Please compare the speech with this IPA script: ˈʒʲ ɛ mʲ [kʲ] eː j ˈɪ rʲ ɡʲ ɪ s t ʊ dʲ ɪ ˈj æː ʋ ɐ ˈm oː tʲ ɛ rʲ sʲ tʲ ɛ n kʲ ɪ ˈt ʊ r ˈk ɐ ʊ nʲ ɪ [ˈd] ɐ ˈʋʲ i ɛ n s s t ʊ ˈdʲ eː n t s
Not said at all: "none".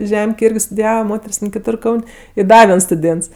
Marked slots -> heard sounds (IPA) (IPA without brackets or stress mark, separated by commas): kʲ, d